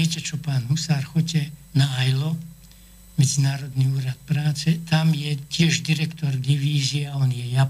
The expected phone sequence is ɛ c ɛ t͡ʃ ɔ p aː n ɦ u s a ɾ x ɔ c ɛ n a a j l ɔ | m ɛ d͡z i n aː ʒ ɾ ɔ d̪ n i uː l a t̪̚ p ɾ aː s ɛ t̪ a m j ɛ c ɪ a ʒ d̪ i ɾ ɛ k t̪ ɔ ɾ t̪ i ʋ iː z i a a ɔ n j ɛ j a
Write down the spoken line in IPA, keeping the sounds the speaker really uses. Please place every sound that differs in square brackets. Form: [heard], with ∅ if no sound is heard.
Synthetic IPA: ɛ c ɛ t͡ʃ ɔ p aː n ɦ u s a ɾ x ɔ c ɛ n a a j l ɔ | m ɛ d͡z i n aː [∅] ɾ ɔ d̪ n i uː [ɾ] a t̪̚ p ɾ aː [t͡s] ɛ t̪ a m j ɛ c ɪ [ɛ] ʒ d̪ i ɾ ɛ k t̪ ɔ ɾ [d̪] i ʋ iː z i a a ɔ n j ɛ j a